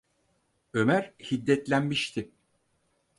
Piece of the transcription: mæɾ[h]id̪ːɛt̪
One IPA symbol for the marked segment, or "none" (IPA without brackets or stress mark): h